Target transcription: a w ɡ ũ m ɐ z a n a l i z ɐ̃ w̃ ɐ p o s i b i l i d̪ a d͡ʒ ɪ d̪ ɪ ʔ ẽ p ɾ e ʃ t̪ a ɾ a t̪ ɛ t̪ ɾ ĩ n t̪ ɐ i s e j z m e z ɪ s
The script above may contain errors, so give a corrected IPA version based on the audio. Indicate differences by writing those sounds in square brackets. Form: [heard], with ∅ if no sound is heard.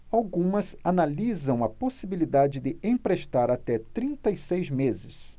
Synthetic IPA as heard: a w ɡ ũ m ɐ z a n a l i z ɐ̃ w̃ ɐ p o s i b i l i d̪ a d͡ʒ ɪ d̪ ɪ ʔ ẽ p ɾ e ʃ t̪ a ɾ a t̪ ɛ t̪ ɾ ĩ n t̪ ɐ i s e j z m e z ɪ s